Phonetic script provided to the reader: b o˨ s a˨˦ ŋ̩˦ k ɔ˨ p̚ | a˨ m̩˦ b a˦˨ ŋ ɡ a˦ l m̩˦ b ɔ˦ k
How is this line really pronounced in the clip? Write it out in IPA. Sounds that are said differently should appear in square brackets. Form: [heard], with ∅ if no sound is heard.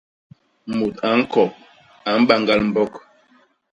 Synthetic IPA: [m] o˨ [t] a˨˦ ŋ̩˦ k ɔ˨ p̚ | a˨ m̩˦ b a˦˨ ŋ ɡ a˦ l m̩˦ b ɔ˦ k